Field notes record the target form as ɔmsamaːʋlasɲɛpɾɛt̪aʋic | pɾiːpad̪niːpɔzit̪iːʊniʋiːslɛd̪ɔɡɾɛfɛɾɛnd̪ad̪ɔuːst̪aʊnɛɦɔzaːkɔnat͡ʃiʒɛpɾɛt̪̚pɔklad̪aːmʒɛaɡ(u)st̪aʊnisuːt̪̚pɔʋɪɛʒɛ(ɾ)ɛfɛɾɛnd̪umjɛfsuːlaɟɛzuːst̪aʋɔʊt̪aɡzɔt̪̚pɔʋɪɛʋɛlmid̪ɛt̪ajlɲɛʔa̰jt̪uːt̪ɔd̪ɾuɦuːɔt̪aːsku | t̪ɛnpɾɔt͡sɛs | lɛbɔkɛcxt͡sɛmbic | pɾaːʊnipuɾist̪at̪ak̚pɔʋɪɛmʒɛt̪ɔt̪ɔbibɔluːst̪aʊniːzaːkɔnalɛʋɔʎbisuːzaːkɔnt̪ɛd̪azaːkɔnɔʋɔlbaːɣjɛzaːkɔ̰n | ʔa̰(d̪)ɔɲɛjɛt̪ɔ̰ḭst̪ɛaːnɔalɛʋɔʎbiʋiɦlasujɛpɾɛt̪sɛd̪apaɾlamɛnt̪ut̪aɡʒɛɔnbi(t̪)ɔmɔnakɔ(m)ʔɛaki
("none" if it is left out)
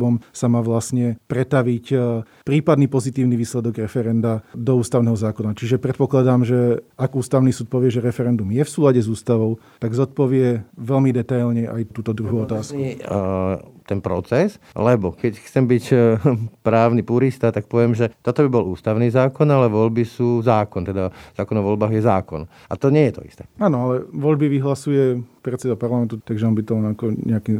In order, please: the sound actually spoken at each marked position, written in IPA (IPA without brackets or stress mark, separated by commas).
uː, ɾ, t̪, t̪, ɲ